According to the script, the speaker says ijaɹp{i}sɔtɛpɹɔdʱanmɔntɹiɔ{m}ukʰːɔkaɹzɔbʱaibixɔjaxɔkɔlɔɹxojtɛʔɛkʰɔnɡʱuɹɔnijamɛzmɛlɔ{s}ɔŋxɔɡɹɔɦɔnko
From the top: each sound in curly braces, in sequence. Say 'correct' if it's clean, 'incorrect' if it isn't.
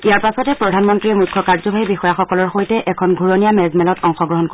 incorrect: a, correct, incorrect: t

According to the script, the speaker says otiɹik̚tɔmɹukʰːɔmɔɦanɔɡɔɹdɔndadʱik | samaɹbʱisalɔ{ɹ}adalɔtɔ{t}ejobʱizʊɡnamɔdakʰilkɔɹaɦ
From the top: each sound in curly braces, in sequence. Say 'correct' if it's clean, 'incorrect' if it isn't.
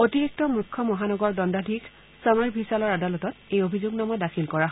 correct, correct

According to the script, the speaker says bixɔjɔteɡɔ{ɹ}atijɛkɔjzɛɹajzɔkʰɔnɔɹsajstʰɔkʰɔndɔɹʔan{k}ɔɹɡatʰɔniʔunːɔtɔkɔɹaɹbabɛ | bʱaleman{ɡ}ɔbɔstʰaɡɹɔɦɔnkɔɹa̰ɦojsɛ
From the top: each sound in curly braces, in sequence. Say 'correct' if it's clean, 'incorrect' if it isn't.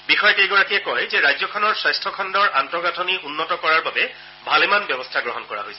correct, incorrect: t, incorrect: b

